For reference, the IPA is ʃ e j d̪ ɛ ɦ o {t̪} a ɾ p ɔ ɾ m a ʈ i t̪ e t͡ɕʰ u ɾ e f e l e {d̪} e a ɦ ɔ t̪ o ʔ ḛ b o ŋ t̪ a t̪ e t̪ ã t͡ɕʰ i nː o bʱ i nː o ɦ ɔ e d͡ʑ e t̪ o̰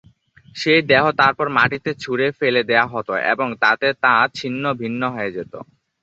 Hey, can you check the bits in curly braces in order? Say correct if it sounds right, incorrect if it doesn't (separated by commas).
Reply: correct, correct